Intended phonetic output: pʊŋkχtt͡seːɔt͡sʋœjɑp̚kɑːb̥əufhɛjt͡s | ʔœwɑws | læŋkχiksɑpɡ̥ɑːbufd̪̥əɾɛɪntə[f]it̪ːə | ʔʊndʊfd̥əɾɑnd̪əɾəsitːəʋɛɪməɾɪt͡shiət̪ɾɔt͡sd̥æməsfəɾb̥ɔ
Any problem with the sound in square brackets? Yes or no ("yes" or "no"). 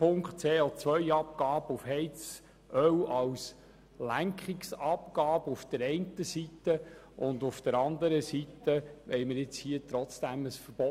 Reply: yes